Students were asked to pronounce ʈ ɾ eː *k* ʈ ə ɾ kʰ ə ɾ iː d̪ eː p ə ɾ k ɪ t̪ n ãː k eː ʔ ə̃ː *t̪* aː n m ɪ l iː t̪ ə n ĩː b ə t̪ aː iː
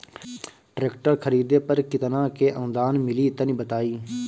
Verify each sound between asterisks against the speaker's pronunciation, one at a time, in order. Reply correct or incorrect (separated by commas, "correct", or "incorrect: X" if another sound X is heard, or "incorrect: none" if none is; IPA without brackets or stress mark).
correct, incorrect: d̪